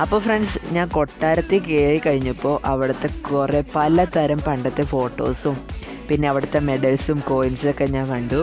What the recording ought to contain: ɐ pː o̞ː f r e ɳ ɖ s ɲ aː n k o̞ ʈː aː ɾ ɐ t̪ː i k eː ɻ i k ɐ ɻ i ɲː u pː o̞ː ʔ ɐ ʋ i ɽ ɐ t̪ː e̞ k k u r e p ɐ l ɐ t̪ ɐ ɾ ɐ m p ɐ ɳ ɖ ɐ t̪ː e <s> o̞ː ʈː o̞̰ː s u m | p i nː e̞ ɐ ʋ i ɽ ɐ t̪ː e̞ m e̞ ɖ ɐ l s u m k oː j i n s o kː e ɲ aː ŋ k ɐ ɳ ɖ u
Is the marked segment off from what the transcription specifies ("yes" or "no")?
yes